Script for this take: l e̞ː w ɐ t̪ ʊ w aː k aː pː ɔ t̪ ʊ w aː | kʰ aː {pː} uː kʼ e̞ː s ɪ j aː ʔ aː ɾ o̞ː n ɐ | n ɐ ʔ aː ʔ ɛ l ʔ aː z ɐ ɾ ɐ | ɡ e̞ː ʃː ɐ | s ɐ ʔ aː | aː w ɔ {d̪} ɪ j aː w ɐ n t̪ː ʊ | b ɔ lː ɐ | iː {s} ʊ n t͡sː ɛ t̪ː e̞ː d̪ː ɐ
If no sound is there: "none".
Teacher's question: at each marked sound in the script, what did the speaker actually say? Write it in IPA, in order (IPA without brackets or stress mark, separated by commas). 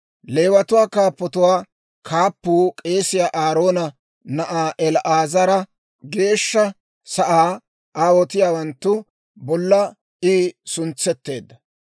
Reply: pː, t̪, s